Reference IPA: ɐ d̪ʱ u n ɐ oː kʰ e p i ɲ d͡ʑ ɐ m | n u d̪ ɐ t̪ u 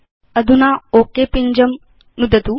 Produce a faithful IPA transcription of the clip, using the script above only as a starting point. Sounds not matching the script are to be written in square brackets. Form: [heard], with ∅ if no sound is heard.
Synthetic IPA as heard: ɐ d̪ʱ u n [a] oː [k] e p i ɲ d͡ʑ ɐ m | n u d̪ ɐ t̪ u